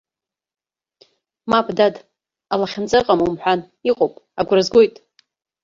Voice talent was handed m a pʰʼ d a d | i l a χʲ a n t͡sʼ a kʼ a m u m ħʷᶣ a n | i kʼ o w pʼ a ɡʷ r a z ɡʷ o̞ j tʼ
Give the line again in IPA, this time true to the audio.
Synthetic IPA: m a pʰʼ d a d | a l a χʲ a n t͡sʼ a qʼ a m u m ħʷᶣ a n | i qʼ o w pʼ a ɡʷ r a z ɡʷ o̞ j tʼ

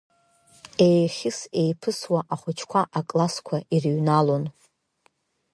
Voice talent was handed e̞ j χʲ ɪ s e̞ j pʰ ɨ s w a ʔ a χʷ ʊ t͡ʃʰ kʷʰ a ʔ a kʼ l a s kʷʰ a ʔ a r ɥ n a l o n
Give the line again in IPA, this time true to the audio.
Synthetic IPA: e̞ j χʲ ɪ s e̞ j pʰ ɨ s w a ʔ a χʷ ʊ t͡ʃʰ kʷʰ a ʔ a kʼ l a s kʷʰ a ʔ i r ɥ n a l o n

